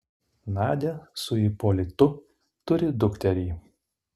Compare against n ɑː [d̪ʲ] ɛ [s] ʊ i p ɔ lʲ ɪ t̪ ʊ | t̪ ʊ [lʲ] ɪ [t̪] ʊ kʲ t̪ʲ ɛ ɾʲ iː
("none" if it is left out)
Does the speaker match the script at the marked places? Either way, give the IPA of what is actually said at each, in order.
d̪ʲ, s, ɾʲ, d̪

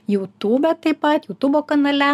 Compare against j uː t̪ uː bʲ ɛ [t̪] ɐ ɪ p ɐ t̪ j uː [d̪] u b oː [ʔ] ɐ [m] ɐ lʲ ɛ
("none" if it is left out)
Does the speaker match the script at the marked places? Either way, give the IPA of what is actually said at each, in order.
t̪, t̪, k, n

